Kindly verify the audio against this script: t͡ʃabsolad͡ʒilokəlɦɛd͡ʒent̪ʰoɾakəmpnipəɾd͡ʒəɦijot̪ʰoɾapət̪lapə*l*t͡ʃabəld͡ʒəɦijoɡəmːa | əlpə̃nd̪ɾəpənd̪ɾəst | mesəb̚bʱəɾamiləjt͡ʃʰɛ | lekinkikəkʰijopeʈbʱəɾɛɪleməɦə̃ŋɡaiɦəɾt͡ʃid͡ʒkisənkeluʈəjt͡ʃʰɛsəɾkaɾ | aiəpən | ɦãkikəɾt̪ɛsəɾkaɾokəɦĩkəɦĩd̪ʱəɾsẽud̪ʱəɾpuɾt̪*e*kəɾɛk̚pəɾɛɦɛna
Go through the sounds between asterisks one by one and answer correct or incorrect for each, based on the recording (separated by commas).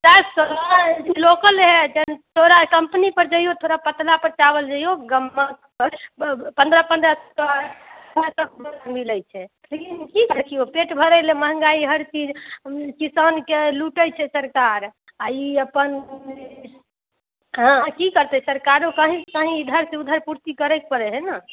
incorrect, incorrect